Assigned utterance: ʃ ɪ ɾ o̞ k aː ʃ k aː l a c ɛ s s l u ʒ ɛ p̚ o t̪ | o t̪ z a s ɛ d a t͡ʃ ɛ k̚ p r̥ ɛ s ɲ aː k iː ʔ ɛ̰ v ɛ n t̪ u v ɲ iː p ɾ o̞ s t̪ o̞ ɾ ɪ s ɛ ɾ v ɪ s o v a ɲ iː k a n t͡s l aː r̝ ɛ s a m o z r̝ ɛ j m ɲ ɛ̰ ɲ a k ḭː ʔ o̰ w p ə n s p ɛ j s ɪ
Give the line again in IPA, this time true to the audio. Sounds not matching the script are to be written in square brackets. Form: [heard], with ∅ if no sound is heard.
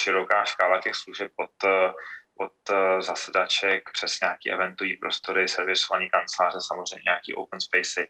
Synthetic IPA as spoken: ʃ ɪ ɾ o̞ k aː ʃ k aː l a c ɛ [x] s l u ʒ ɛ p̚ o t̪ | o t̪ z a s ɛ d a t͡ʃ ɛ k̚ p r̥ ɛ s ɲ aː k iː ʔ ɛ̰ v ɛ n t̪ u v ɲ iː p ɾ o̞ s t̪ o̞ ɾ ɪ s ɛ ɾ v ɪ s o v a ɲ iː k a n t͡s l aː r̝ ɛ s a m o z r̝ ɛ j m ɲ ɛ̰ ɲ a k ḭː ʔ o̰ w p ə n s p ɛ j s ɪ